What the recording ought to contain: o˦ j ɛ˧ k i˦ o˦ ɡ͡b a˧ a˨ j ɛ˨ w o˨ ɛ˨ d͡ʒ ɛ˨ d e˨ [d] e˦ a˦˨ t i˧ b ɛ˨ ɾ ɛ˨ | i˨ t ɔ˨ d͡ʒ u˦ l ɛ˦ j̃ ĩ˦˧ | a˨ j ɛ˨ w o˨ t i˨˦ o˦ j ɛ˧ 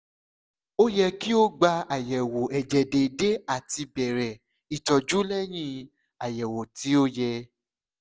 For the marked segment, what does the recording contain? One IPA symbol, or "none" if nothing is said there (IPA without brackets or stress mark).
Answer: d